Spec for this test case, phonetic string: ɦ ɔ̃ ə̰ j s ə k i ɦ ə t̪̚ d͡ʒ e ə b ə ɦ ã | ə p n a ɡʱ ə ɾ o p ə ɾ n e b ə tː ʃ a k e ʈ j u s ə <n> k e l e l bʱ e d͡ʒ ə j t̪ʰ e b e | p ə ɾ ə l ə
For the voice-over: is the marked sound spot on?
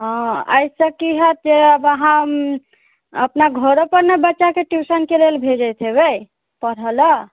yes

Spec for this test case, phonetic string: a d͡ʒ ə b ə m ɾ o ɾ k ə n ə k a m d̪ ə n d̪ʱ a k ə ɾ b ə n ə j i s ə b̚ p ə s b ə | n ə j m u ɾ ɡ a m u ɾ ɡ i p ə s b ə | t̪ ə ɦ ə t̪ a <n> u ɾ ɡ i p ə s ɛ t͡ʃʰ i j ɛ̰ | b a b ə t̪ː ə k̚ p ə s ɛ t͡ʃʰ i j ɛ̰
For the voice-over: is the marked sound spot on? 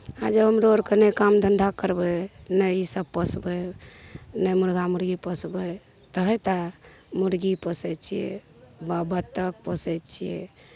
no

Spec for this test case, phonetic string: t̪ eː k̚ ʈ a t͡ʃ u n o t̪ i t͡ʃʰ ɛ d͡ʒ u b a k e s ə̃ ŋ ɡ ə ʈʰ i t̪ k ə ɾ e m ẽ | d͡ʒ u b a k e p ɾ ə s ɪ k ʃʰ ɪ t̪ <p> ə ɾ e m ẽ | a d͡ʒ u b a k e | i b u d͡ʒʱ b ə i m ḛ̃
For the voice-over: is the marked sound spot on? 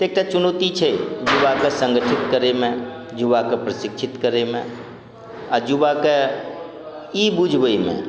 no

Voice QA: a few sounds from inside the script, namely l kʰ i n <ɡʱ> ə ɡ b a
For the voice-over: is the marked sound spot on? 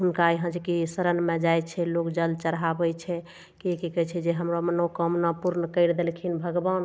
no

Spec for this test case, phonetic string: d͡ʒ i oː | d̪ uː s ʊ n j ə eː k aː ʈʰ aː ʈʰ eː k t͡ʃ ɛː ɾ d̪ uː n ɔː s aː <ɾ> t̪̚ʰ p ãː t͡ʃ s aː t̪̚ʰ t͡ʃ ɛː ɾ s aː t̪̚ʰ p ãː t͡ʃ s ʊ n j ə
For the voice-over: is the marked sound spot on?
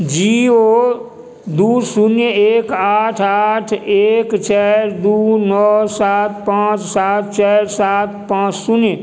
no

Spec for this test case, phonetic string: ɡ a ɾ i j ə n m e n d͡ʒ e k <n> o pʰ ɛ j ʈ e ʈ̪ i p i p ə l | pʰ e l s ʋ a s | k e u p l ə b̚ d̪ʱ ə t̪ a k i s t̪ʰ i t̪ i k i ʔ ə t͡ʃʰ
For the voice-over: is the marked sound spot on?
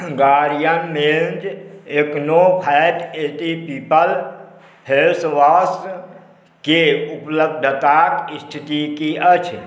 yes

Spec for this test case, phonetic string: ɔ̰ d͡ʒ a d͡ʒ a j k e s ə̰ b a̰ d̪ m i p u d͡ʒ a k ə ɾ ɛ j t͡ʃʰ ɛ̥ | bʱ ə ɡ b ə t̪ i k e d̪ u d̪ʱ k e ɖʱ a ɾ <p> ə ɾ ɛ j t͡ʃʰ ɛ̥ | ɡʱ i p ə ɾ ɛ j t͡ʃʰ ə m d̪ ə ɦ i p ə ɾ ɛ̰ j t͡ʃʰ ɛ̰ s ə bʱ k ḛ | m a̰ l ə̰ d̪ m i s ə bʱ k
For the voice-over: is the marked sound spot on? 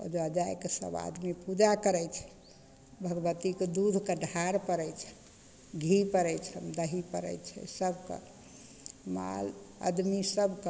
yes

